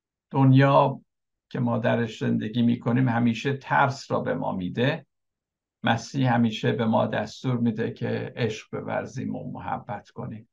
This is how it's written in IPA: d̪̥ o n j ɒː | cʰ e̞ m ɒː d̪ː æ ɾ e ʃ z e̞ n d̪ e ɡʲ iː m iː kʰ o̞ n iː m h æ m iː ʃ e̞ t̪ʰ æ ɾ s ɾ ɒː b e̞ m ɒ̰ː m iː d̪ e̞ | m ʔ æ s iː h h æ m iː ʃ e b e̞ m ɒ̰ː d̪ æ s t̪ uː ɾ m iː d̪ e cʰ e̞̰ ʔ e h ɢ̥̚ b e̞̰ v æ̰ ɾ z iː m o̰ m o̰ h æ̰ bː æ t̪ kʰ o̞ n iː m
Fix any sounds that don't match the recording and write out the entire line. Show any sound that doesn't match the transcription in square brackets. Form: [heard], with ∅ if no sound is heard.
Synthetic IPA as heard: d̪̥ o n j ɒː | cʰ e̞ m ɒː [d̪] æ ɾ e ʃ z e̞ n d̪ e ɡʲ iː m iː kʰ o̞ n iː m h æ m iː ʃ e̞ t̪ʰ æ ɾ s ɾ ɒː b e̞ m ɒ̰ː m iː d̪ e̞ | m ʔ æ s iː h h æ m iː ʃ e b e̞ m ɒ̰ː d̪ æ s t̪ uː ɾ m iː d̪ e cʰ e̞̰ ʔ e [ʃ] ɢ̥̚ b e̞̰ v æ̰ ɾ z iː m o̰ m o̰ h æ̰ bː æ t̪ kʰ o̞ n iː m